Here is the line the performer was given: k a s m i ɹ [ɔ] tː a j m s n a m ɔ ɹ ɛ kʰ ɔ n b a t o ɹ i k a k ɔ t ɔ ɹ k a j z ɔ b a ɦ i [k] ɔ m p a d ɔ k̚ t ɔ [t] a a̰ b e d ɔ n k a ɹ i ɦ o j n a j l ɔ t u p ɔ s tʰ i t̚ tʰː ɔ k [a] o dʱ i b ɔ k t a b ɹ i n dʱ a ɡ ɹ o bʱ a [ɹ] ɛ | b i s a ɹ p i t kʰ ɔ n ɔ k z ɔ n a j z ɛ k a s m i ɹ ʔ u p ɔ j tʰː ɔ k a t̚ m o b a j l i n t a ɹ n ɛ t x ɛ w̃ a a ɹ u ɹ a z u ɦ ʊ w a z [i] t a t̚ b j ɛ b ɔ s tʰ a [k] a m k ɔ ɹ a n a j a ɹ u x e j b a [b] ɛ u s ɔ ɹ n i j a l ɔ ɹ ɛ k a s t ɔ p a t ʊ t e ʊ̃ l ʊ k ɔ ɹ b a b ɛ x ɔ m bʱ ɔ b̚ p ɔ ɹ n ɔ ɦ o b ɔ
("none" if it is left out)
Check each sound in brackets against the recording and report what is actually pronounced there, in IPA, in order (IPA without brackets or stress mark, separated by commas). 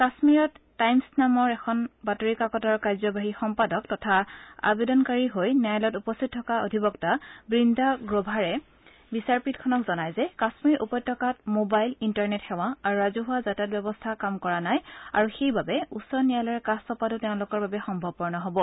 ɔ, x, tʰ, a, ɹ, a, k, b